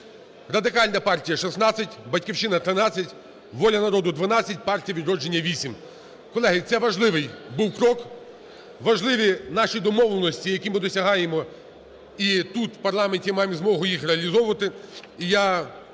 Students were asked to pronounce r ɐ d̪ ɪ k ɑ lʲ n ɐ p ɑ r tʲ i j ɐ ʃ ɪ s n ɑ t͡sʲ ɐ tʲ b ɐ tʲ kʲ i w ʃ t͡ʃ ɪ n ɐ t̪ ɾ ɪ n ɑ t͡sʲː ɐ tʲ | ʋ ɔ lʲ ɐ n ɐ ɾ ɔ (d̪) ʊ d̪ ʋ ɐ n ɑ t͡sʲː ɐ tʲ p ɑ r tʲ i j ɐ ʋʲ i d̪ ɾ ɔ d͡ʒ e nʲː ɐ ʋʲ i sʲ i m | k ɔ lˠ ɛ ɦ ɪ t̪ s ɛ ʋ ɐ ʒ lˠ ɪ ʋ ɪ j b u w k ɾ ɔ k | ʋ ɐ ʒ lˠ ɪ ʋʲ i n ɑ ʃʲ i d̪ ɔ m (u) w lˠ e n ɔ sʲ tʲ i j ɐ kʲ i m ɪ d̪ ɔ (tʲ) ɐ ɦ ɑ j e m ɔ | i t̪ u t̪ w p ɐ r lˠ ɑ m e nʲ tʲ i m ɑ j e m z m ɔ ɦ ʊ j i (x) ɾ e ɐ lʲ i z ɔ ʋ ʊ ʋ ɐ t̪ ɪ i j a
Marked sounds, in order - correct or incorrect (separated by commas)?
correct, incorrect, incorrect, correct